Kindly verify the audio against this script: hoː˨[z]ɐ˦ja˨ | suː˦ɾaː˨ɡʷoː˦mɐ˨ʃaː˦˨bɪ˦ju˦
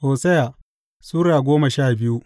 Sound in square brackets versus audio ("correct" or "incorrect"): incorrect